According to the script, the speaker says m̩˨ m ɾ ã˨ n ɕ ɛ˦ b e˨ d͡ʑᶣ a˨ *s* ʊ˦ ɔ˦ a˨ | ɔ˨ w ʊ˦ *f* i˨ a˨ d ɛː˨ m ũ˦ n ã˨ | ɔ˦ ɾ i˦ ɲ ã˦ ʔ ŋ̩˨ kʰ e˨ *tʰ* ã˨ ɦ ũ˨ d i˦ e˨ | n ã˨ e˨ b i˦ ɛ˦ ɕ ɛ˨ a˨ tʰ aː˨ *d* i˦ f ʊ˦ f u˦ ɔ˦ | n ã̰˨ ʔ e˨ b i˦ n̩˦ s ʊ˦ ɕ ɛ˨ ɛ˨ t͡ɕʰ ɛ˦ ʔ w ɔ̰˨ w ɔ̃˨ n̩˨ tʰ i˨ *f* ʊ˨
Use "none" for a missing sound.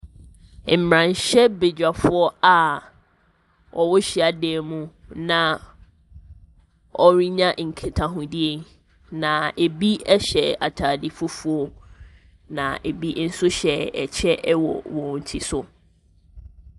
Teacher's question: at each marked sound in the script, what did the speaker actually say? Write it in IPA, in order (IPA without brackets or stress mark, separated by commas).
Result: f, ɕ, tʰ, d, s